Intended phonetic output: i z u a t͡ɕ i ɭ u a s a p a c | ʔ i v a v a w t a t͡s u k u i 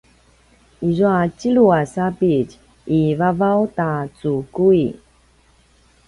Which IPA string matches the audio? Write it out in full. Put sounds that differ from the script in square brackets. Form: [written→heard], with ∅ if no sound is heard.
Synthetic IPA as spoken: i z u a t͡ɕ i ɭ u a s a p [a→i] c | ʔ i v a v a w t a t͡s u k u i